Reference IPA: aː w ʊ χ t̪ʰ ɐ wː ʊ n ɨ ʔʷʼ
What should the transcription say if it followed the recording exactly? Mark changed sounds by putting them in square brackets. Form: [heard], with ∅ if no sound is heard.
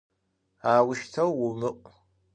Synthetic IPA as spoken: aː w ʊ [ʃ] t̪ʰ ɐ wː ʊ [m] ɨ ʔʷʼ